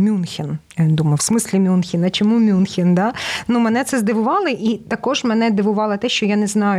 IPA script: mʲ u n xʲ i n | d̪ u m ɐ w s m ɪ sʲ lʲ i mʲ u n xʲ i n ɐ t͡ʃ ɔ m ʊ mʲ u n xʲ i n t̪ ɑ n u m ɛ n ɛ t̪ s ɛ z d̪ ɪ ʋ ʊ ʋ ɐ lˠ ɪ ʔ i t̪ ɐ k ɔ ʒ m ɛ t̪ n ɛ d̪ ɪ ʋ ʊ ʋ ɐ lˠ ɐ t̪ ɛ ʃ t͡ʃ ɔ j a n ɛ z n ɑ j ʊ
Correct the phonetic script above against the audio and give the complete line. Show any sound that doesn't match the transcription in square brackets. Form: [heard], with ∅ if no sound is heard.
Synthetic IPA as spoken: mʲ u n xʲ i n | d̪ u m ɐ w s m ɪ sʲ lʲ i mʲ u n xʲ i n ɐ t͡ʃ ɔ m [u] mʲ u n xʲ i n [d̪] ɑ n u m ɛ n ɛ t̪ s ɛ z d̪ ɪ ʋ ʊ ʋ [ɑ] lˠ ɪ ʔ i t̪ ɐ k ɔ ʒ m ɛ [∅] n ɛ d̪ ɪ ʋ ʊ ʋ [ɑ] lˠ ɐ t̪ ɛ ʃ t͡ʃ ɔ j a n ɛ z n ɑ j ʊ